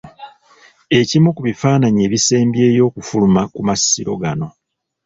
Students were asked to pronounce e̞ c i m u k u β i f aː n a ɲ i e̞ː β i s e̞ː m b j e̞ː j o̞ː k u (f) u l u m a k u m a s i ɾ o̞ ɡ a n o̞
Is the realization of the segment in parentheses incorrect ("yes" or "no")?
no